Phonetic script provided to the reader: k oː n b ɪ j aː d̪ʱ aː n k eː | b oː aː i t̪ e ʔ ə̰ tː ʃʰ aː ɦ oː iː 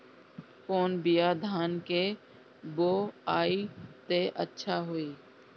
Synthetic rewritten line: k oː n b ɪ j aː d̪ʱ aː n k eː | b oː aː i t̪ e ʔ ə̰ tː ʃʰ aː ɦ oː iː